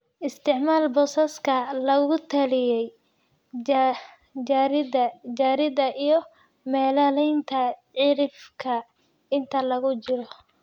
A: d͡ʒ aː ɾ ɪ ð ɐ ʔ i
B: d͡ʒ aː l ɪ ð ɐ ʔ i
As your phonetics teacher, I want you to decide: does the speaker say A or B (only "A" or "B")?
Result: A